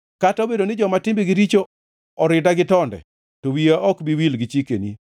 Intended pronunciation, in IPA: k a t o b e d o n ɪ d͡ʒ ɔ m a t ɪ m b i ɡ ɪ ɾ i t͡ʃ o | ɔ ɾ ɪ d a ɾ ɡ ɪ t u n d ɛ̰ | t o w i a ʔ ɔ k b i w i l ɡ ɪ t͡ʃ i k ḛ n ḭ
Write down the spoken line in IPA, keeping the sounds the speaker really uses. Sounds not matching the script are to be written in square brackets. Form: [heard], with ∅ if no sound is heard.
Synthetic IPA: k a t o b e d o n ɪ d͡ʒ ɔ m a t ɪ m b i ɡ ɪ ɾ i t͡ʃ o | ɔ ɾ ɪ d a [∅] ɡ ɪ t [ɔ] n d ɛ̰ | t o w i a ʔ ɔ k b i w i l ɡ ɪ t͡ʃ i k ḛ n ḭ

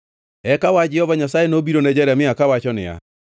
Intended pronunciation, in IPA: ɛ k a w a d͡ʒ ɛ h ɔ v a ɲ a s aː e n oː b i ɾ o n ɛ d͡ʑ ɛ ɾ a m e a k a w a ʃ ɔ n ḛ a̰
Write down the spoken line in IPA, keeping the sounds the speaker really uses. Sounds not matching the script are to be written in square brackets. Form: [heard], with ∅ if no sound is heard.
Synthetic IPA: ɛ k a w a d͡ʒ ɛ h ɔ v a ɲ a s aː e n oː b i ɾ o n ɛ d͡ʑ ɛ ɾ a m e a k a w a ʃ ɔ n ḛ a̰

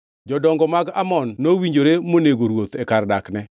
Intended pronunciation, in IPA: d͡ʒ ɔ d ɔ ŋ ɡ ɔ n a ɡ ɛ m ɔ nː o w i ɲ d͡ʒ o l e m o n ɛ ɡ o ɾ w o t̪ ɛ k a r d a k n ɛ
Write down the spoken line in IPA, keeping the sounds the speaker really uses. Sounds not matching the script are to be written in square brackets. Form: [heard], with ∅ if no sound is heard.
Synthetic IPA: d͡ʒ ɔ d ɔ ŋ ɡ ɔ [m] a ɡ [a] m ɔ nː o w i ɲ d͡ʒ o [ɾ] e m o n [e] ɡ o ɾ w o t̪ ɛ k a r d a k n ɛ

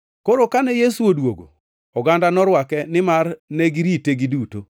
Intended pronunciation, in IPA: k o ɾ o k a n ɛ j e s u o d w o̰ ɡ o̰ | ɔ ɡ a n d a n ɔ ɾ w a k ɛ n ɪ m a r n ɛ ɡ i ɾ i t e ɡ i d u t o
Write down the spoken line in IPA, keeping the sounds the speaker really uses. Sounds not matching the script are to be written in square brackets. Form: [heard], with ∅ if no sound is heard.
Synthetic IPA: k o ɾ o k a n ɛ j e s u o d w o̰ ɡ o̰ | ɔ ɡ a n d a n ɔ ɾ w a k ɛ n ɪ m a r n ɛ ɡ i ɾ i t e ɡ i d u t o

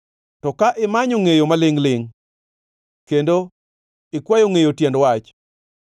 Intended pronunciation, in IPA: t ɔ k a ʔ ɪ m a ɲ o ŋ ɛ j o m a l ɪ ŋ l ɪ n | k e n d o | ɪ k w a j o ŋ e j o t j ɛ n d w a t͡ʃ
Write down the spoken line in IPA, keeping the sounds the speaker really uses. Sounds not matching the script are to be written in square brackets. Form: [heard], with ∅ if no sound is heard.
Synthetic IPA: t ɔ k a ʔ ɪ m a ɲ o ŋ [e] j o m a l ɪ ŋ l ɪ [ŋ] | k e n d o | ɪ k w a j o ŋ e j o t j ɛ n d w a t͡ʃ

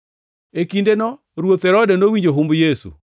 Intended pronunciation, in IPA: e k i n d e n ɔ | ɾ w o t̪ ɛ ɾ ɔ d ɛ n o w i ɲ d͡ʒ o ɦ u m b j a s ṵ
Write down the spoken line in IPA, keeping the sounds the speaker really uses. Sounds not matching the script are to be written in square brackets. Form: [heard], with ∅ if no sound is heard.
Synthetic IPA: e k i n d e n ɔ | ɾ w o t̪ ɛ ɾ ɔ d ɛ n o w i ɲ d͡ʒ o ɦ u m b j [e] s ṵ

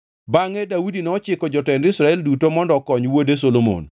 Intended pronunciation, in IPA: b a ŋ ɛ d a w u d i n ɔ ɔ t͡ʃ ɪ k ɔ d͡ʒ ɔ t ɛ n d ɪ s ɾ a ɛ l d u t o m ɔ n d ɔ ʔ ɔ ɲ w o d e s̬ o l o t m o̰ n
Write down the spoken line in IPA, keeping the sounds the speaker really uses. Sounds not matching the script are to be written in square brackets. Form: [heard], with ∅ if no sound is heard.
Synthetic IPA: b a ŋ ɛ d a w u d i n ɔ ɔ t͡ʃ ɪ k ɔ d͡ʒ ɔ t ɛ n d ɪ s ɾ a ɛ l d u t o m ɔ n d ɔ [k] ɔ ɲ w o d e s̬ o l o [∅] m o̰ n

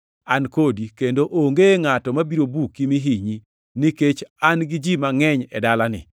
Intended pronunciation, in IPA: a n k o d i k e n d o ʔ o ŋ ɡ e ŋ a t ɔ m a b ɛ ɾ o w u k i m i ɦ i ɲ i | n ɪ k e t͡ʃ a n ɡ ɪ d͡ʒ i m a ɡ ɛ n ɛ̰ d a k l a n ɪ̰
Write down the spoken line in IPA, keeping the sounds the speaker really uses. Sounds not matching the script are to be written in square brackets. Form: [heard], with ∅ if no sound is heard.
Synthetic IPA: a n k o d i k e n d o ʔ o ŋ ɡ e ŋ a t ɔ m a b [i] ɾ o [b] u k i m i ɦ i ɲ i | n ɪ k e t͡ʃ a n ɡ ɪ d͡ʒ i m a [ŋ] ɛ [ɲ] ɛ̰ d a [∅] l a n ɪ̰

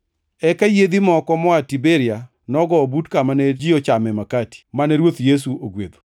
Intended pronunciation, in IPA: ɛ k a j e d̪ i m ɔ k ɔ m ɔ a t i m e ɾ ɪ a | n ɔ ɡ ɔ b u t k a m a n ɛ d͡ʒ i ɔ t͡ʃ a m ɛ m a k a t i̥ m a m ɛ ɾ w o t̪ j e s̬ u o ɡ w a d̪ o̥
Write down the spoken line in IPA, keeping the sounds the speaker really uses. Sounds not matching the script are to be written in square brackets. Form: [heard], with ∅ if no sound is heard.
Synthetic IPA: ɛ k a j e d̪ i m ɔ k ɔ m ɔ a t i [b] e ɾ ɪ a | n ɔ ɡ ɔ b u t k a m a n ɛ d͡ʒ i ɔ t͡ʃ a m ɛ m a k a t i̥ m a [n] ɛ ɾ w o t̪ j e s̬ u o ɡ w [e] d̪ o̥

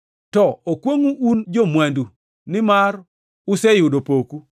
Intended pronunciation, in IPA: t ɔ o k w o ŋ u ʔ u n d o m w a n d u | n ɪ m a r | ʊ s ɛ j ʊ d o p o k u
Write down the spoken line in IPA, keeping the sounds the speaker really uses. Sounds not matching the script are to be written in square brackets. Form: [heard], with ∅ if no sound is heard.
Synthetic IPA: t ɔ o k w o ŋ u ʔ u n [d͡ʒ] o m w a n d u | n ɪ m a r | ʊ s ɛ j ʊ d o p o k u

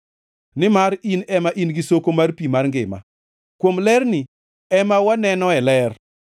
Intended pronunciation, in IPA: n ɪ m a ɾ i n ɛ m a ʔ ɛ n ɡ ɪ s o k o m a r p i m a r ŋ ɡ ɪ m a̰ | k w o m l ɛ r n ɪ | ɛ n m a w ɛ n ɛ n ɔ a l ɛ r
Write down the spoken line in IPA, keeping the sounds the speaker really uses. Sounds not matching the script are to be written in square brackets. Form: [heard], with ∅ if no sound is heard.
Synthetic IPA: n ɪ m a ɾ i n ɛ m a ʔ [i] n ɡ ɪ s o k o m a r p i m a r ŋ ɡ ɪ m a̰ | k w o m l ɛ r n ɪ | ɛ [∅] m a w [a] n ɛ n ɔ [ɛ] l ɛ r

